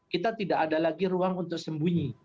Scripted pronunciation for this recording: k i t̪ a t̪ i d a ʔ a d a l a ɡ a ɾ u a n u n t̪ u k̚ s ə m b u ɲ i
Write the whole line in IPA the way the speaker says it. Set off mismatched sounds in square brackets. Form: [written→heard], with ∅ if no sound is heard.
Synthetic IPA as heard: k i t̪ a t̪ i d a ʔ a d a l a ɡ [a→i] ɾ u a [n→ŋ] u n t̪ [u→ʊ] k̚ s ə m b u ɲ i

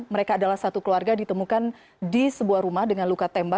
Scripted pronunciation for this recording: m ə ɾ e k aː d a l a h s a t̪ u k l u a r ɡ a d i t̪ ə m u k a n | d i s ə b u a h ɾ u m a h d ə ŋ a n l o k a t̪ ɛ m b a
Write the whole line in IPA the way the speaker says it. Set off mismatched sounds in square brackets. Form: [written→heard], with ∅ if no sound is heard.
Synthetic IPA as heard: m ə ɾ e k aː d a l a h s a t̪ u k l u a r ɡ a d i t̪ ə m u k a n | d i s ə b u a h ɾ u m a h d ə ŋ a n l [o→u] k a t̪ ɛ m b a

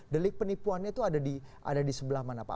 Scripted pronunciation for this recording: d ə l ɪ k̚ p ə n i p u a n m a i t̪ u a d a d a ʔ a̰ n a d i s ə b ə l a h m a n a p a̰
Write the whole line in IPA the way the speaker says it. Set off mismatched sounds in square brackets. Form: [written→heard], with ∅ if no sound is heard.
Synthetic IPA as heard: d ə l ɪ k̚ p ə n i p u a n [m→ɲ] a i t̪ u a d a d [a→i] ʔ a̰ [n→d] a d i s ə b ə l a h m a n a p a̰

